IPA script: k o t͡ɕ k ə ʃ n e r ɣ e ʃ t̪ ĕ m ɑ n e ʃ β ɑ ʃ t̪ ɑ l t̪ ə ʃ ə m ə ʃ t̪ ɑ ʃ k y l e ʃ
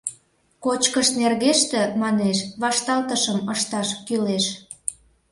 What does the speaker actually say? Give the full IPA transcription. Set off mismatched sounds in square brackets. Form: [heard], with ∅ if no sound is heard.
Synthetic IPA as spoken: k o t͡ɕ k ə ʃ n e r ɣ e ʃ t̪ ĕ m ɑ n e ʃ β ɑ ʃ t̪ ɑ l t̪ ə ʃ ə m ə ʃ t̪ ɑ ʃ k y l e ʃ